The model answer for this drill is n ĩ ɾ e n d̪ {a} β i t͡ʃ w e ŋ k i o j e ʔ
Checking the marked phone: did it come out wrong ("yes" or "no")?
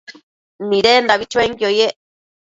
no